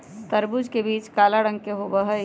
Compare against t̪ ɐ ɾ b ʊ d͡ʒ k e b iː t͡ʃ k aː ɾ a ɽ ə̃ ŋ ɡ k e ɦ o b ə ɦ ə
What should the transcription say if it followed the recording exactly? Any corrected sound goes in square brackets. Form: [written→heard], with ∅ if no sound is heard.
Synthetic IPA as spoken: t̪ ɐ ɾ b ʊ d͡ʒ k e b iː t͡ʃ k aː [ɾ→l] a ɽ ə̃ ŋ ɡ k e ɦ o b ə ɦ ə